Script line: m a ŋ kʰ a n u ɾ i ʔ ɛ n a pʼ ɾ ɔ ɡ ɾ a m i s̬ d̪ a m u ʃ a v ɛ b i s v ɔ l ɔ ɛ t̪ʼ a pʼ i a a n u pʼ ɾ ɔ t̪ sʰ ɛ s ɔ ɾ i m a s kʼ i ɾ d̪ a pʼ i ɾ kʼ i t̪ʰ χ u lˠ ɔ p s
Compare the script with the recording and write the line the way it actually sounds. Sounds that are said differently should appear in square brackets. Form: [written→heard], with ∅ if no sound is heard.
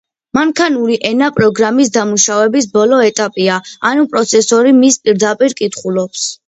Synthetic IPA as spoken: m a ŋ kʰ a n u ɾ i ʔ ɛ n a pʼ ɾ ɔ ɡ ɾ a m i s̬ d̪ a m u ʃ a v ɛ b i s [v→b] ɔ l ɔ ɛ t̪ʼ a pʼ i a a n u pʼ ɾ ɔ t̪ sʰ ɛ s ɔ ɾ i m [a→i] s [kʼ→pʼ] i ɾ d̪ a pʼ i ɾ kʼ i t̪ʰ χ u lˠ ɔ p s